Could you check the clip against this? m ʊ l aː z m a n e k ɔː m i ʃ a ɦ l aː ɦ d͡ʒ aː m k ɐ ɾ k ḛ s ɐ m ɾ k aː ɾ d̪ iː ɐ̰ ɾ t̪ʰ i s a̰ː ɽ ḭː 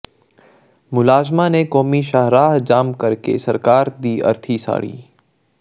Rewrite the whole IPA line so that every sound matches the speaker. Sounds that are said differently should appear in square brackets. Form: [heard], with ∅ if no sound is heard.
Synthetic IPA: m ʊ l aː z m a n e k ɔː m i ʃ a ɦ [ɾ] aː ɦ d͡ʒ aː m k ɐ ɾ k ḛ s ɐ [∅] ɾ k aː ɾ d̪ iː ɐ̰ ɾ t̪ʰ i s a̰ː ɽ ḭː